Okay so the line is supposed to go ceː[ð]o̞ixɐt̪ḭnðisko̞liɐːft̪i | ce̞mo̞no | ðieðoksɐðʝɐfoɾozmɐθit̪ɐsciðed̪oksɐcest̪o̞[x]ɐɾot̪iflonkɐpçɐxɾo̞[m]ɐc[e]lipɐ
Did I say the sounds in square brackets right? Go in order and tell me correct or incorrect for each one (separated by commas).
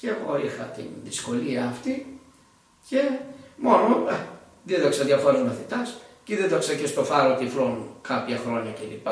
incorrect, incorrect, incorrect, correct